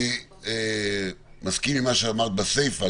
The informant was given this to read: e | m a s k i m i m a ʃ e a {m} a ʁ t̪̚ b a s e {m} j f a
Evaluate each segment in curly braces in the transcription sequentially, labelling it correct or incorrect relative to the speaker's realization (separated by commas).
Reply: correct, incorrect